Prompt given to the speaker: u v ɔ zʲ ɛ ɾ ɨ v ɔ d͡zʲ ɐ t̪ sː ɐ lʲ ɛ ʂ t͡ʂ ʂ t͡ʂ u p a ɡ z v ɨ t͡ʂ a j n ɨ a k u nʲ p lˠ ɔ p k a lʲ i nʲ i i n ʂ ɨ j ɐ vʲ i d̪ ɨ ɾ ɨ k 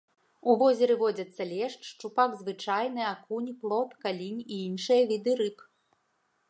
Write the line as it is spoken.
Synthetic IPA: u v ɔ zʲ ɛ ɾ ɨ v ɔ d͡zʲ ɐ t̪ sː ɐ lʲ ɛ ʂ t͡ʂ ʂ t͡ʂ u p a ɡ z v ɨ t͡ʂ a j n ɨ a k u nʲ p lˠ ɔ p k a lʲ i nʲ i i n ʂ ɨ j ɐ vʲ i d̪ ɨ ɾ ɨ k